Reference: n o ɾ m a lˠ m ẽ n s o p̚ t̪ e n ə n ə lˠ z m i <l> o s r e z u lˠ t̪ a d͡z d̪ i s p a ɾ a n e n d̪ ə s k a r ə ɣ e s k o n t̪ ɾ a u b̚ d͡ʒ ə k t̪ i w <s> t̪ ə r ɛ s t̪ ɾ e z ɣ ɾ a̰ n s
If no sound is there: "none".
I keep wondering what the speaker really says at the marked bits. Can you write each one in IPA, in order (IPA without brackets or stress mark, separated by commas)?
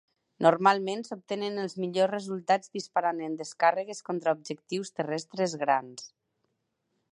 ʎ, s